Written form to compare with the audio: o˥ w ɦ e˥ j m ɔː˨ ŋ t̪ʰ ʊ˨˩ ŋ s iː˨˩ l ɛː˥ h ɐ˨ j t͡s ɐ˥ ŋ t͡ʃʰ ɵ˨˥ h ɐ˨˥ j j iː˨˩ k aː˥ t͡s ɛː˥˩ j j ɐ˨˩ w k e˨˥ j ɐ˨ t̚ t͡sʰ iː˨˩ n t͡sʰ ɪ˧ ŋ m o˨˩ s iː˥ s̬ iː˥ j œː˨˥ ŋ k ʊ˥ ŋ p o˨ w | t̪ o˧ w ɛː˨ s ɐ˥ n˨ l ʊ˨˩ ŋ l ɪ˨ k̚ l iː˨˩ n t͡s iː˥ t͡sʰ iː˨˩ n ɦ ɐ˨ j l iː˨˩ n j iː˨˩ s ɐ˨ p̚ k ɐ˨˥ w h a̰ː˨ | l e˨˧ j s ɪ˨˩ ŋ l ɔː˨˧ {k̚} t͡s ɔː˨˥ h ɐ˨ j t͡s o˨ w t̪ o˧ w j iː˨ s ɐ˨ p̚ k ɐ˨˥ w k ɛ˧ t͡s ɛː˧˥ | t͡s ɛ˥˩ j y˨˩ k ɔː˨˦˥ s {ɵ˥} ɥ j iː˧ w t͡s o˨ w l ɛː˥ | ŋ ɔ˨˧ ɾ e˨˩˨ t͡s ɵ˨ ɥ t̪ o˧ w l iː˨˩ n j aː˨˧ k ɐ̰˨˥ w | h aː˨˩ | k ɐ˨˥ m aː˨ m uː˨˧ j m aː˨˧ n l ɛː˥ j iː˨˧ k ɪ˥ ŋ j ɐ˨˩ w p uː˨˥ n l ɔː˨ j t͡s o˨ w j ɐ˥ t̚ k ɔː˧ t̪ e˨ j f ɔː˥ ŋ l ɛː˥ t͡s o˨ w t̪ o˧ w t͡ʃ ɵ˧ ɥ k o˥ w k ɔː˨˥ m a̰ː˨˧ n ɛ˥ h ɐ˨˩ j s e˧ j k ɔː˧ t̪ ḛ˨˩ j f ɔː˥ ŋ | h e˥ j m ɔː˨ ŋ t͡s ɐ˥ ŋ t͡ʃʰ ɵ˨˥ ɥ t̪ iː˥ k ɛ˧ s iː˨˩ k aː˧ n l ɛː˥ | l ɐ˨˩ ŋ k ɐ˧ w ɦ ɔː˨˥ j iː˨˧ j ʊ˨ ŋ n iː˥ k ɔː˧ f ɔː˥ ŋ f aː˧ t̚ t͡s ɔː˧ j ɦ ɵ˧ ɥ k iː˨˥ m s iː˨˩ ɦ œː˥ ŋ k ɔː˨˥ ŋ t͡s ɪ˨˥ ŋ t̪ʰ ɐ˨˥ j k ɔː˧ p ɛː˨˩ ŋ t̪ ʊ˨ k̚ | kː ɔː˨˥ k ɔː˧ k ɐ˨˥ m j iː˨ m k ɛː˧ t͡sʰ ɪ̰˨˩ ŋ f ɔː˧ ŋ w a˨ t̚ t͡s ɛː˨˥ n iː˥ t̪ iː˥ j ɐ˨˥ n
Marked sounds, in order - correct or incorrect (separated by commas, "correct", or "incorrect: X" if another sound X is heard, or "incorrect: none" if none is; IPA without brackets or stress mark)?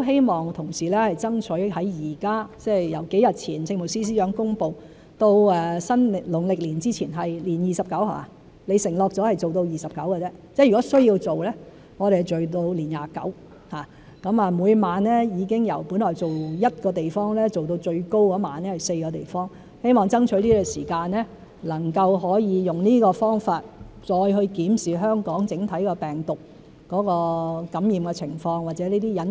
correct, correct